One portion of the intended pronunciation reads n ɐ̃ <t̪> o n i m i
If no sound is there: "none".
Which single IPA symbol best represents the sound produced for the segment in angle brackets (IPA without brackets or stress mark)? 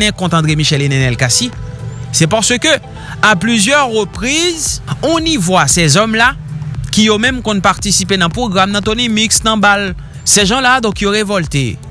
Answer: t̪